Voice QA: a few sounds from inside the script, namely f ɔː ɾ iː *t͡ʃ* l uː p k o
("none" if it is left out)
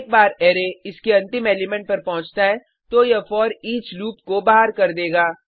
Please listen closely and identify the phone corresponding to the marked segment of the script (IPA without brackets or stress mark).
t͡ʃ